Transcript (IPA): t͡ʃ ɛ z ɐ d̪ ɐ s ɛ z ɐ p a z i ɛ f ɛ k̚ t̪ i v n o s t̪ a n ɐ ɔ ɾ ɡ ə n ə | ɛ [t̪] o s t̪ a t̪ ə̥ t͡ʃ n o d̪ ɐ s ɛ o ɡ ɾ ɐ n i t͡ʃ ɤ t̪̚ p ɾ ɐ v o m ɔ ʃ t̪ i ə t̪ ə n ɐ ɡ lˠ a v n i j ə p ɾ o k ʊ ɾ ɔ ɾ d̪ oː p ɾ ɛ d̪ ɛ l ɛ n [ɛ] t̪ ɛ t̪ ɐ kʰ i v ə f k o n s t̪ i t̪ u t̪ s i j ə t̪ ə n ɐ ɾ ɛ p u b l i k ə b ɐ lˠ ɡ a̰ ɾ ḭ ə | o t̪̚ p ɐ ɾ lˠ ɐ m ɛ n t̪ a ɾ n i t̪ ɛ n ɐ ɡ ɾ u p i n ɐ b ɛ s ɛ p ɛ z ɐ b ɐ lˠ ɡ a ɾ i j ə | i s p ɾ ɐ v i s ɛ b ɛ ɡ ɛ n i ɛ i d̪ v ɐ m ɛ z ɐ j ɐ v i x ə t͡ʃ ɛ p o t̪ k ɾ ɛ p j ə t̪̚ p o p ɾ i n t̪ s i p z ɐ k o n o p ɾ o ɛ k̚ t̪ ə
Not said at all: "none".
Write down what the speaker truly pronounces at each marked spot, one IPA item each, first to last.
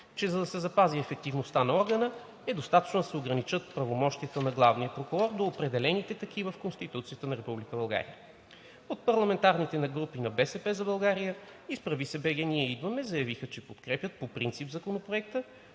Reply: d̪, i

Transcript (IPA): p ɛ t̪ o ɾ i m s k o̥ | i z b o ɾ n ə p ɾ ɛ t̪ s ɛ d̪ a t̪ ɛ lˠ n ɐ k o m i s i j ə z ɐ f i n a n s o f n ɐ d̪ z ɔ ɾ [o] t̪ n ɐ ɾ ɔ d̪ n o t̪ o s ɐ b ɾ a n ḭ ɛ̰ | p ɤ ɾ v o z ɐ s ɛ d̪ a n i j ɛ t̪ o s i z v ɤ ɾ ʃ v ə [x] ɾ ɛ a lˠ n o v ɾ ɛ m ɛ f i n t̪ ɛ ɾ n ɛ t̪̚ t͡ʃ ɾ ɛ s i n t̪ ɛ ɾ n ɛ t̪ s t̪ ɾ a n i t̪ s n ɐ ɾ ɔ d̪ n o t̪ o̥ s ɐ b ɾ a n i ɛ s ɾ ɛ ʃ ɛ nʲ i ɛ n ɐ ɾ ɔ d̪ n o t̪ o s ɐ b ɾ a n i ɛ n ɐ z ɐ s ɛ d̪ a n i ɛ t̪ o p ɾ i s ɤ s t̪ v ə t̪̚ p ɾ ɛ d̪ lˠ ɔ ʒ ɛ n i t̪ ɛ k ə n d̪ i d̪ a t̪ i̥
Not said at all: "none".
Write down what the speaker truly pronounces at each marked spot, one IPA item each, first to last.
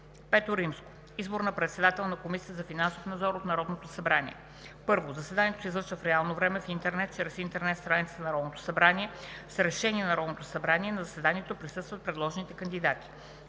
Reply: o, f

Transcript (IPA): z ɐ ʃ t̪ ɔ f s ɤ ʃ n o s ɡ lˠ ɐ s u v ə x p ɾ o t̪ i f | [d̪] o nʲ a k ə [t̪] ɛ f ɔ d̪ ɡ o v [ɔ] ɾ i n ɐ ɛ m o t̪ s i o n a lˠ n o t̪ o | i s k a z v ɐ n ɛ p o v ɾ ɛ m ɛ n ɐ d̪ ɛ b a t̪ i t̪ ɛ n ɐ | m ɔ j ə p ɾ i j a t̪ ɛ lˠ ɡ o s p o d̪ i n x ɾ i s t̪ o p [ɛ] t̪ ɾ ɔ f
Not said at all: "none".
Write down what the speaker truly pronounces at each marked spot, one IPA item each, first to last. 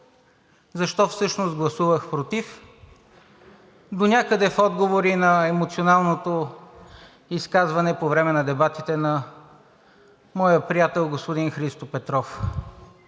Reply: d̪, d̪, o, ɛ

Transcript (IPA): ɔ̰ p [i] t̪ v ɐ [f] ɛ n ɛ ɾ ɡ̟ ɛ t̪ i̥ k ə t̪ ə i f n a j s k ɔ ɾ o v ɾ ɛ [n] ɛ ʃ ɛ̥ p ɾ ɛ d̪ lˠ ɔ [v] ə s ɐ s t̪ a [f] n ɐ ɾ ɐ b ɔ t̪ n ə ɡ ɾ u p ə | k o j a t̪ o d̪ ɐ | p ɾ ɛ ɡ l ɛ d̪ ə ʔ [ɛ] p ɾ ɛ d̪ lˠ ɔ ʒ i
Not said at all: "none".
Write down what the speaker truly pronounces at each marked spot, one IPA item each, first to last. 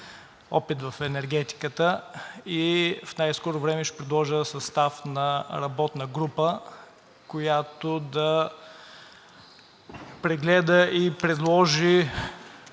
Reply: i, f, m, ʒ, f, i

